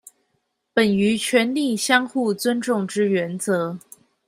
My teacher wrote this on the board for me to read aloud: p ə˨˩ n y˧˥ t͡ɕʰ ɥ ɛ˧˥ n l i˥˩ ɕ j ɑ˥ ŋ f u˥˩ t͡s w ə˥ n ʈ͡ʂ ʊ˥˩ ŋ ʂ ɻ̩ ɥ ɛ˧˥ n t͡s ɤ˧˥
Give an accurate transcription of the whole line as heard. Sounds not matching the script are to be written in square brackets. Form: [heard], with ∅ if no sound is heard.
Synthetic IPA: p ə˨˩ n y˧˥ t͡ɕʰ ɥ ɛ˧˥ n l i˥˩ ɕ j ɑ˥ ŋ [x] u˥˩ t͡s w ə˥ n ʈ͡ʂ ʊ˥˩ ŋ [ʈ͡ʂ] ɻ̩ ɥ ɛ˧˥ n t͡s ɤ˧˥